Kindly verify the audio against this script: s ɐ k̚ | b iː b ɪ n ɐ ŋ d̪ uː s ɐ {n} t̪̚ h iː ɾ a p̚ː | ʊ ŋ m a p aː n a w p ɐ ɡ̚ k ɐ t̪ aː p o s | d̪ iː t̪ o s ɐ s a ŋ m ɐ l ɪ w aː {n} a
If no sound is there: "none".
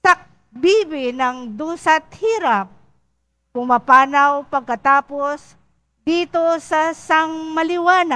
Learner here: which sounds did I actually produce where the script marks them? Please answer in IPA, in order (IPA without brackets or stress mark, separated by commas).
none, n